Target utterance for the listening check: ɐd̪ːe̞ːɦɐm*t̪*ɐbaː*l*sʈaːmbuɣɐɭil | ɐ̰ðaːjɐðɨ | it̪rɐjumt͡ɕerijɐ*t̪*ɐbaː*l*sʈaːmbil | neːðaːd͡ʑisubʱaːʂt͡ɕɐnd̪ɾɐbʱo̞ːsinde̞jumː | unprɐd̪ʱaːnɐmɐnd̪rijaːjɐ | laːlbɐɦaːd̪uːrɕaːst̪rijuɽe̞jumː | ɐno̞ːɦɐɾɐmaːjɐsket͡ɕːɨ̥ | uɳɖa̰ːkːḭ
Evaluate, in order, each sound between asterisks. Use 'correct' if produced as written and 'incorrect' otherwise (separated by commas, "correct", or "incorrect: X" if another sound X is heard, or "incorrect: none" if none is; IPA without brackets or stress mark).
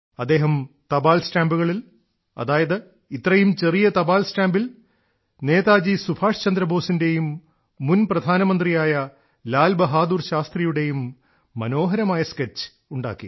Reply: correct, correct, correct, correct